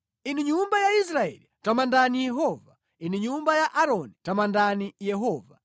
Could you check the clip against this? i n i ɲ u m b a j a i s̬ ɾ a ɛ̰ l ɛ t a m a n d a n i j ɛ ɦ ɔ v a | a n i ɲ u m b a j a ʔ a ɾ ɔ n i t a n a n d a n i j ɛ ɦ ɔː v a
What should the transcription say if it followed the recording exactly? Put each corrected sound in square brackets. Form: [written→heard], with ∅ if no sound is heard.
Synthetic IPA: i n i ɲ u m b a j a i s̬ ɾ a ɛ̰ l [ɛ→i] t a m a n d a n i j ɛ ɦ ɔ v a | [a→i] n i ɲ u m b a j a ʔ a ɾ ɔ n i t a [n→m] a n d a n i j ɛ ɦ ɔː v a